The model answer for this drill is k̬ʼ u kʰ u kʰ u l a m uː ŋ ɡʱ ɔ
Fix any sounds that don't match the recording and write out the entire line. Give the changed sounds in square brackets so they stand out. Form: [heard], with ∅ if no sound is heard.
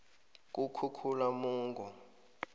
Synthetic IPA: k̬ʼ u kʰ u kʰ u l a m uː ŋ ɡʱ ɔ